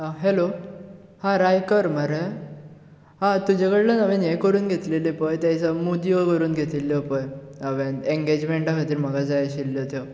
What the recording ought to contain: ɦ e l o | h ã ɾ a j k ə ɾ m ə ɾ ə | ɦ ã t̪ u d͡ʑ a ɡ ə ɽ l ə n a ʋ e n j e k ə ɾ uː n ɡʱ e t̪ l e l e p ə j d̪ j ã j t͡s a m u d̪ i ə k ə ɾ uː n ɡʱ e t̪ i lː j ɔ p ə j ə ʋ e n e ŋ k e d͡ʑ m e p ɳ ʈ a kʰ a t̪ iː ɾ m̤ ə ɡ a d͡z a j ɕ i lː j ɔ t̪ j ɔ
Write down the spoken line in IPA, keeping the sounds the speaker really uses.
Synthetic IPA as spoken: ɦ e l o | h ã ɾ a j k ə ɾ m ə ɾ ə | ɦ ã t̪ u d͡ʑ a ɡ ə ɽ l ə n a ʋ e n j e k ə ɾ uː n ɡʱ e t̪ l e l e p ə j t̪ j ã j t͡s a m u d̪ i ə k ə ɾ uː n ɡʱ e t̪ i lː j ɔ p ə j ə ʋ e n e ŋ ɡ e d͡ʑ m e ɳ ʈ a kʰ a t̪ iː ɾ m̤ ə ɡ a d͡z a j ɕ i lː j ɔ t̪ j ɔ